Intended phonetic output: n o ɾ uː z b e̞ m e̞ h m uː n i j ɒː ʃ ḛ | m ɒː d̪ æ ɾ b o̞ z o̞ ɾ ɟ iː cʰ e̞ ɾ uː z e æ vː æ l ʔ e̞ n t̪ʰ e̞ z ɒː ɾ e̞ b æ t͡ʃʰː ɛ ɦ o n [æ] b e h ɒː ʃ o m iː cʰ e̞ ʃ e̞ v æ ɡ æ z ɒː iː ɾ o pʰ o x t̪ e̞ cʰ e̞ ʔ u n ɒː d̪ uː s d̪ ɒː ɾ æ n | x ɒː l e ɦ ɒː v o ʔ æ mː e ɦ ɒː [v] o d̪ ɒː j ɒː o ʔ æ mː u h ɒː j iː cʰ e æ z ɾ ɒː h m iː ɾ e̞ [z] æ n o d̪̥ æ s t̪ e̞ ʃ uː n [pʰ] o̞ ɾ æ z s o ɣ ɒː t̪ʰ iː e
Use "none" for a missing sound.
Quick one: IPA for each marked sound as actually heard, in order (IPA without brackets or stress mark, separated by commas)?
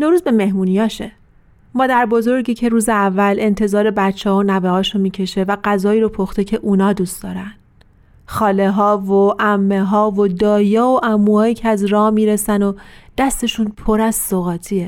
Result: æ, v, s, pʰ